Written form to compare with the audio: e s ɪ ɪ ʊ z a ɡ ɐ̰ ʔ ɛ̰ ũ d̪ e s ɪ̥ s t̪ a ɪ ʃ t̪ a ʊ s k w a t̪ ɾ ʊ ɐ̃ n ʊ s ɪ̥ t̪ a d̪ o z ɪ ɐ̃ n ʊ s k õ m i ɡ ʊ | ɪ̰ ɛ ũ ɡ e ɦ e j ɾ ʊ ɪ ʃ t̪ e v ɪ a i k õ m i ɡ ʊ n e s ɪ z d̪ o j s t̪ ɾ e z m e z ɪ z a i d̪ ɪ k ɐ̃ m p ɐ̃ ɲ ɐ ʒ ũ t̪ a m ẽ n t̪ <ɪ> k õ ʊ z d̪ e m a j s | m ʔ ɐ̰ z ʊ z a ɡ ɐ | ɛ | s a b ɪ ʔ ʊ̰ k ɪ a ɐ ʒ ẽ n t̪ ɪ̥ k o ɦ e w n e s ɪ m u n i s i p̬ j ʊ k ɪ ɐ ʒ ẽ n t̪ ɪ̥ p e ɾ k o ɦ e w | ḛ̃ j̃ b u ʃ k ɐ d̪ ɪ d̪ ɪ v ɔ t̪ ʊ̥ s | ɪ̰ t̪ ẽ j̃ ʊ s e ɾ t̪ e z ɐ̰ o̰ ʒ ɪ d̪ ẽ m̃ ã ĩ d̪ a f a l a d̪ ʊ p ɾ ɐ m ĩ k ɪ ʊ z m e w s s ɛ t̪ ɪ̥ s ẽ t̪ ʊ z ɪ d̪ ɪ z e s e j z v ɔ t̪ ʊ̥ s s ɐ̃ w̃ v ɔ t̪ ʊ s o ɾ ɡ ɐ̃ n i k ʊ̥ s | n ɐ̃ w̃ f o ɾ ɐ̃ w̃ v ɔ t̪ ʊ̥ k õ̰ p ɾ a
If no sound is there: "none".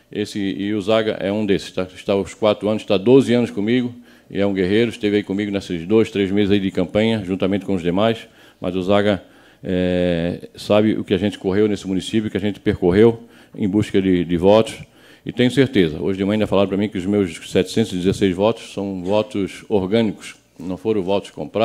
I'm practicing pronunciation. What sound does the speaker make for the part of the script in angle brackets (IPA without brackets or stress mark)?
ɪ